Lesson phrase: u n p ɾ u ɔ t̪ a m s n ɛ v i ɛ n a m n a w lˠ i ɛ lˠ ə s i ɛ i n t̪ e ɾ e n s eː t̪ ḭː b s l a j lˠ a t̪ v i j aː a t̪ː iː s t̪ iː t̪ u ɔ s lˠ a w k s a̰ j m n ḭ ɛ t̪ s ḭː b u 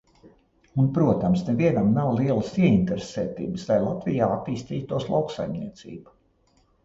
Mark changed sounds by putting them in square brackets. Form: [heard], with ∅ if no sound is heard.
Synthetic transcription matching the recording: u n p ɾ u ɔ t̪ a m s n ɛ v i ɛ n a m n a w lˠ i ɛ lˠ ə s i ɛ i n t̪ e ɾ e [∅] s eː t̪ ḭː b s l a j lˠ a t̪ v i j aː a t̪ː iː s t̪ iː t̪ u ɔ s lˠ a w k s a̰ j m n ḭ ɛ t̪ s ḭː b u